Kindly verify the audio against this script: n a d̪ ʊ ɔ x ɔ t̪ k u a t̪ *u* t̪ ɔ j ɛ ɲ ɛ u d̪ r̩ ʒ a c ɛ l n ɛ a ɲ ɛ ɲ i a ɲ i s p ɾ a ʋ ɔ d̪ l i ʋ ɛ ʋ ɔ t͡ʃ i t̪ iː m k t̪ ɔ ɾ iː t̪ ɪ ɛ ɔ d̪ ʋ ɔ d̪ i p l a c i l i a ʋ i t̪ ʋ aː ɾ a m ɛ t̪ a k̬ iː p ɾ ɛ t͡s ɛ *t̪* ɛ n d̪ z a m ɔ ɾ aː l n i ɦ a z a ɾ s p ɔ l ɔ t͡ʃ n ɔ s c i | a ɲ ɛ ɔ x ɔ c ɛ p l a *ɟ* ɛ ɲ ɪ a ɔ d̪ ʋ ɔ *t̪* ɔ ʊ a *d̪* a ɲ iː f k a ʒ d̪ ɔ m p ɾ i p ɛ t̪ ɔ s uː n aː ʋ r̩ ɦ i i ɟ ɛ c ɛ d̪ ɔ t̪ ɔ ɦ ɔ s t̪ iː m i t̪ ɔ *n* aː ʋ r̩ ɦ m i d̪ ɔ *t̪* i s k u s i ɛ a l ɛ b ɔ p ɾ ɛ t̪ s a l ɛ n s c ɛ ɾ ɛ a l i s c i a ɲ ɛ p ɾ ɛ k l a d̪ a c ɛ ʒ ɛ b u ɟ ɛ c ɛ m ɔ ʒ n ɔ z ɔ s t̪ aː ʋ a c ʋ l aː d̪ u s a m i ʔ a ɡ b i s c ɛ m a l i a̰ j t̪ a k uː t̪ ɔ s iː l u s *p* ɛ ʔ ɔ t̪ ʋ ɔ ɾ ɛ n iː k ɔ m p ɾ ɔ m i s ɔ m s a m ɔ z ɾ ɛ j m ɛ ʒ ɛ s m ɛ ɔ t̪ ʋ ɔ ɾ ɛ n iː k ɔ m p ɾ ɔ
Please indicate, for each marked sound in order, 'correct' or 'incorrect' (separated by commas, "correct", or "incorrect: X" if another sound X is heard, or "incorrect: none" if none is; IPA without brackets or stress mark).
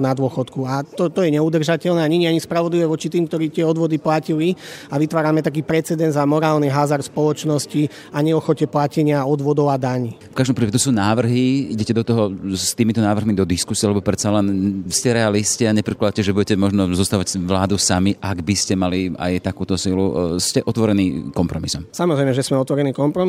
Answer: incorrect: ɔ, incorrect: d̪, incorrect: c, incorrect: d̪, correct, correct, incorrect: d̪, incorrect: c